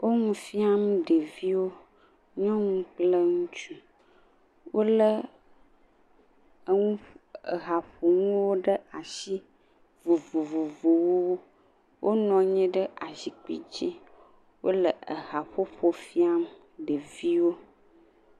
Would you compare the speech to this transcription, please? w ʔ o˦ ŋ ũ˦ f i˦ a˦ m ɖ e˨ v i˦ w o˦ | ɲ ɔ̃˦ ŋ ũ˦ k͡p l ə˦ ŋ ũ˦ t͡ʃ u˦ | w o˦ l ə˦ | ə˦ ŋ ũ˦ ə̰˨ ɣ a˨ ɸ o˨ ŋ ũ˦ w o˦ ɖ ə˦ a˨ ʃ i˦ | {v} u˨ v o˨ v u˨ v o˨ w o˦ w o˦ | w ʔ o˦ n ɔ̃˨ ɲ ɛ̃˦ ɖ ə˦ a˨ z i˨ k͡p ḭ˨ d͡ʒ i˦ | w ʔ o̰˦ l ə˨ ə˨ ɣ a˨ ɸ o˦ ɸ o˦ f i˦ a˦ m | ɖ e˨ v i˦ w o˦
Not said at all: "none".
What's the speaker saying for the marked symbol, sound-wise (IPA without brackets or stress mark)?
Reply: v